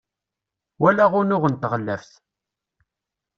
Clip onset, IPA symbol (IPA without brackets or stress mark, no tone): w